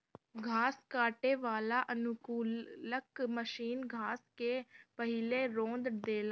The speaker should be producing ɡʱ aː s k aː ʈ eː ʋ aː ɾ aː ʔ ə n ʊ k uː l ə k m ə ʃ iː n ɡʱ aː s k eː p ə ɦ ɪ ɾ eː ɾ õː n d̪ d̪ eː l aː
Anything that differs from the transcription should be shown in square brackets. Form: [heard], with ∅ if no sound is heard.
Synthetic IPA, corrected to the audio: ɡʱ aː s k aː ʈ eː ʋ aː [l] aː ʔ ə n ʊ k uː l ə k m ə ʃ iː n ɡʱ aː s k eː p ə ɦ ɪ [l] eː ɾ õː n d̪ d̪ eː l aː